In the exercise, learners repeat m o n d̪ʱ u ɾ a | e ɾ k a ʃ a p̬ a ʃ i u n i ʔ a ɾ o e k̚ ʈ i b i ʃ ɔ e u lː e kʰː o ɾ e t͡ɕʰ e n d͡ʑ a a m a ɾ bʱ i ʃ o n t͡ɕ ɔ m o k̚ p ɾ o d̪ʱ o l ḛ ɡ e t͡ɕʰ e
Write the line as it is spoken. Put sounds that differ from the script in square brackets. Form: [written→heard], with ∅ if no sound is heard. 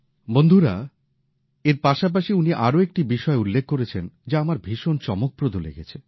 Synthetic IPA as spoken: [m→b] o n d̪ʱ u ɾ a | e ɾ [k→p] a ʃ a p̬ a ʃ i u n i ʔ a ɾ o e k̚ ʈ i b i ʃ ɔ e u lː e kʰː o ɾ e t͡ɕʰ e n d͡ʑ a a m a ɾ bʱ i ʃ o n t͡ɕ ɔ m o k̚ p ɾ o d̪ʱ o l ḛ ɡ e t͡ɕʰ e